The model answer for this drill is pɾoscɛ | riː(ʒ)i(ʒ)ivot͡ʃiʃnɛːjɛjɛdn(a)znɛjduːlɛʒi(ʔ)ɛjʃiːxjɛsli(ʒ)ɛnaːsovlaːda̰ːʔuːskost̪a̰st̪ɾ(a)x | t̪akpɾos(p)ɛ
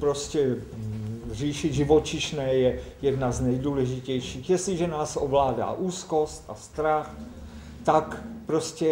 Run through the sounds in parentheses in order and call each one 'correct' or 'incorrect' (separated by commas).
incorrect, correct, correct, incorrect, correct, correct, incorrect